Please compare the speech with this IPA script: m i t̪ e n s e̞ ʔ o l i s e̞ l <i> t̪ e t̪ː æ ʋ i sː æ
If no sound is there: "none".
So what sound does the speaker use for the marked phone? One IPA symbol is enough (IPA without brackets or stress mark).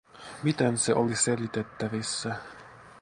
i